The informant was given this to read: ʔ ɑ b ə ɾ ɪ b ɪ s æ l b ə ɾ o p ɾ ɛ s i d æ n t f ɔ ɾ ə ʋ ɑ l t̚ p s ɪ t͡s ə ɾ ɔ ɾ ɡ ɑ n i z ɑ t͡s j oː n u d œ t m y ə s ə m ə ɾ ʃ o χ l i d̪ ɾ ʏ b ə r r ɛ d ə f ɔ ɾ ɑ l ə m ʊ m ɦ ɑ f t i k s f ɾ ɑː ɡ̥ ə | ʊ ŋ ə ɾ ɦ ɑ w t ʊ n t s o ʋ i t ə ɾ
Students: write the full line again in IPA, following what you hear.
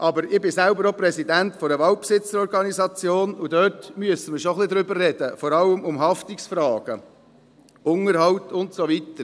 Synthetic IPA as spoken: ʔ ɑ b ə ɾ ɪ b ɪ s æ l b ə ɾ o p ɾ ɛ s i d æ n t f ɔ ɾ ə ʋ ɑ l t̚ p s ɪ t͡s ə ɾ ɔ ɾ ɡ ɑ n i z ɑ t͡s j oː n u d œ t m y ə s ə m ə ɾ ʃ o χ l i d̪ ɾ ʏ b ə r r ɛ d ə f ɔ ɾ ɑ l ə m ʊ m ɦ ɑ f t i k s f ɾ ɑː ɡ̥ ə | ʊ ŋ ə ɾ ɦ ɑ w t ʊ n t s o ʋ i t ə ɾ